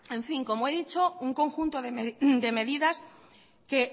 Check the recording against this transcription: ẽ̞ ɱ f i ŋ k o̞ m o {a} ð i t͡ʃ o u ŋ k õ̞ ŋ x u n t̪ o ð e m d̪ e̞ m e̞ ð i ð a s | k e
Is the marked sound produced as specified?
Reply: no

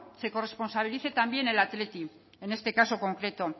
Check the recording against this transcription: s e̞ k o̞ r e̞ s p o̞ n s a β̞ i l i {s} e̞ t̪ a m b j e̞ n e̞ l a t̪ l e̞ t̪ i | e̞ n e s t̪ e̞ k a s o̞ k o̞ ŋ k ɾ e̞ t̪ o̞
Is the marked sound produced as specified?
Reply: no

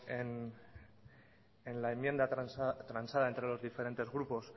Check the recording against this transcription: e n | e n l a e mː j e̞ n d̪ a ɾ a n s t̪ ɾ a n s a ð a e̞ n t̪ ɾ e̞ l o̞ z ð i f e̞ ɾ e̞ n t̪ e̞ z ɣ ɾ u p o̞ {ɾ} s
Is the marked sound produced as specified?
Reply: no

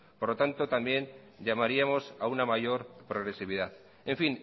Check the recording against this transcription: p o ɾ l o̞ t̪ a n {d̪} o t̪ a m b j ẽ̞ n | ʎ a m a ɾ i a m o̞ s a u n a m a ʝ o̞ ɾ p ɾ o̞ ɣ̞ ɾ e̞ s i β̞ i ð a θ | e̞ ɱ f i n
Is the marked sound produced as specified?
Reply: no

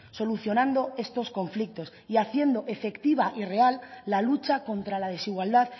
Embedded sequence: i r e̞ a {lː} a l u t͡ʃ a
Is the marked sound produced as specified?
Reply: yes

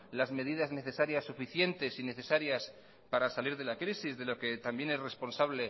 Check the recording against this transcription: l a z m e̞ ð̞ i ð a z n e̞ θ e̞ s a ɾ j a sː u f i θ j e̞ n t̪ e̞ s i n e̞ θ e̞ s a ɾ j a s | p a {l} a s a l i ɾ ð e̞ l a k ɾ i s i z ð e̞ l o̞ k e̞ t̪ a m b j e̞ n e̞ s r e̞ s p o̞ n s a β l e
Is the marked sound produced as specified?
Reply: no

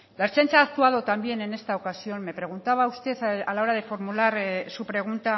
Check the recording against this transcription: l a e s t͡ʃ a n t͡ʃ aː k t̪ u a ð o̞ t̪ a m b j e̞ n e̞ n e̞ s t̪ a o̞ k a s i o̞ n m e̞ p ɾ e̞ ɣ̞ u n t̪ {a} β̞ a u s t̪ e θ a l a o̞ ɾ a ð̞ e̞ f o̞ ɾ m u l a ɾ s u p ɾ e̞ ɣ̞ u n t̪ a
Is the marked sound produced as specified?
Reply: yes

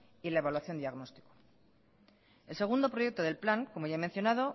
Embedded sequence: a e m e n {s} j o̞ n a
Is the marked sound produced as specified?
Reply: no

